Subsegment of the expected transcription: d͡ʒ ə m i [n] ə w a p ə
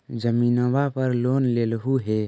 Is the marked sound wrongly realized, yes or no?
no